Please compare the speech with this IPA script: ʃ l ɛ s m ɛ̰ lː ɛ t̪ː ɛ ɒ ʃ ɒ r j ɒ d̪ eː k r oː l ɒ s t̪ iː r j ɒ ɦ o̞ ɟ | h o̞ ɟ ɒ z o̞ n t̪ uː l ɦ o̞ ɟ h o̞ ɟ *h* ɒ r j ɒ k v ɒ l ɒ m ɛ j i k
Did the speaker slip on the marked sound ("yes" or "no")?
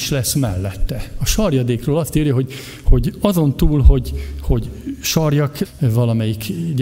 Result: yes